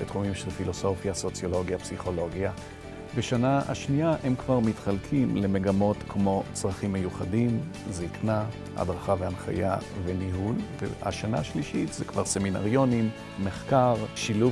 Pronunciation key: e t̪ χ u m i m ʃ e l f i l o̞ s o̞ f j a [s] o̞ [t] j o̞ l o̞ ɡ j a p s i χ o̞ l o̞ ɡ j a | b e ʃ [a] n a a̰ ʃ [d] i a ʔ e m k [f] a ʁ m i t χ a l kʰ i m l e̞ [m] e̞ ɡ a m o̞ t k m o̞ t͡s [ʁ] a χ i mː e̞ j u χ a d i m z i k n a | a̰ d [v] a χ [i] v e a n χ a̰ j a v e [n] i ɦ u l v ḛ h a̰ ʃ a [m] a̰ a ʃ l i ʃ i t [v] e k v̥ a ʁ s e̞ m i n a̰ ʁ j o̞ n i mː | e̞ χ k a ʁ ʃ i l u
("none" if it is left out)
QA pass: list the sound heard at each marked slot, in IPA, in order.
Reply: s, t͡s, a, n, v, m, ʁ, ʁ, a, n, n, z

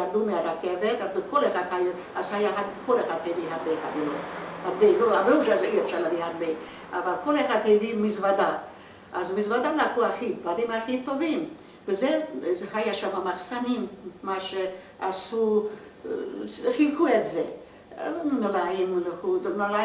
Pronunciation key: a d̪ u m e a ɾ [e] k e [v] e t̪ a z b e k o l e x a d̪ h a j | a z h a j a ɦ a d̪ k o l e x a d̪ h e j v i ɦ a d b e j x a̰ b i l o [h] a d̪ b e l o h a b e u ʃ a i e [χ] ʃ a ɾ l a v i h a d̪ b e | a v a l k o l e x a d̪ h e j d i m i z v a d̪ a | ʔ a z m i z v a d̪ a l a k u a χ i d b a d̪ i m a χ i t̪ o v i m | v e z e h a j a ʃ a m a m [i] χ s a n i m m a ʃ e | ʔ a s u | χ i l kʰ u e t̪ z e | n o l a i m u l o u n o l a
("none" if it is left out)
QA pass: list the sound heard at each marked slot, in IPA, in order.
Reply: a, v, h, f, a

